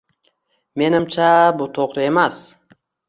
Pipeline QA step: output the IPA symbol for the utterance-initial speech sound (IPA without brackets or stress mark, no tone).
m